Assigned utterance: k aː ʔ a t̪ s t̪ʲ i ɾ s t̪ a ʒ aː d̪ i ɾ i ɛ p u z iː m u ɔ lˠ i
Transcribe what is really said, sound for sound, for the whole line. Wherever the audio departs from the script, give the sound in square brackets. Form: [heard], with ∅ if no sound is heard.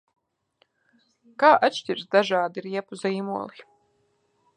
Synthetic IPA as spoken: k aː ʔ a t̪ [ʃ] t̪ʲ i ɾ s [d̪] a ʒ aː d̪ i ɾ i ɛ p u z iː m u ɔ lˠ i